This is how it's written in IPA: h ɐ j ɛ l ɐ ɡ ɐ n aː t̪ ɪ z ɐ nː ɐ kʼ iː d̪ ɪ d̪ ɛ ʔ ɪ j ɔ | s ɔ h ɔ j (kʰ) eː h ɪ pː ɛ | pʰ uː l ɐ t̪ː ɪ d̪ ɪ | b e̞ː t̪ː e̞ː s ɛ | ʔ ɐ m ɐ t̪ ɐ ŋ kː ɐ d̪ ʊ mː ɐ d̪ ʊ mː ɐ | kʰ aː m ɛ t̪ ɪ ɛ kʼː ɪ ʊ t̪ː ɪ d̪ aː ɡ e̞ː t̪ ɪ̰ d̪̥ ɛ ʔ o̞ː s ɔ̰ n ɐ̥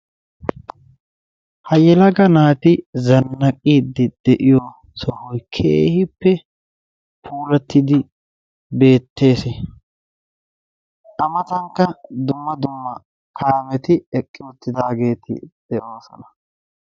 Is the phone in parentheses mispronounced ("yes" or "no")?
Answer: no